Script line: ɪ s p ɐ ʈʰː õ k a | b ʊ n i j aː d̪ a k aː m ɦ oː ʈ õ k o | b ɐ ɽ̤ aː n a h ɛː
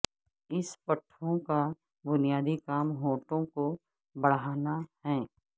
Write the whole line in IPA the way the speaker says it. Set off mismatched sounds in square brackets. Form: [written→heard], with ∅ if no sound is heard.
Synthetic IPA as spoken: ɪ s p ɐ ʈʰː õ k a | b ʊ n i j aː d̪ [a→i] k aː m ɦ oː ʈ õ k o | b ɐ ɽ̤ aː n a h ɛː